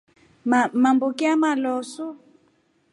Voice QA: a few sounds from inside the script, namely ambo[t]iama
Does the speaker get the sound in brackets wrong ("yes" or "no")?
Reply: yes